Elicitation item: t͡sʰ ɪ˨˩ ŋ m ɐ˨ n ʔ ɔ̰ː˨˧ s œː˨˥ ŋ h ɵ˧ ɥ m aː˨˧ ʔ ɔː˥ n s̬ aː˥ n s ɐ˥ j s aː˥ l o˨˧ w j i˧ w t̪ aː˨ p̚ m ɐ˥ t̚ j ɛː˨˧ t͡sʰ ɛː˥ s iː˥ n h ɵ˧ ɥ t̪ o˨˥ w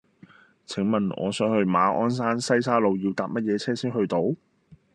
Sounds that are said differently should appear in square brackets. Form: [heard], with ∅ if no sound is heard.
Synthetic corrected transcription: t͡sʰ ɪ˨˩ ŋ m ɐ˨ n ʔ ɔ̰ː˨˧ s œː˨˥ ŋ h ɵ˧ ɥ m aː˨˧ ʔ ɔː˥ n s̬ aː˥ n s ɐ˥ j s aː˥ l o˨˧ w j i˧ w t̪ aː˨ p̚ m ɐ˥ t̚ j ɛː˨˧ t͡sʰ ɛː˥ s iː˥ n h ɵ˧ ɥ t̪ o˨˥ w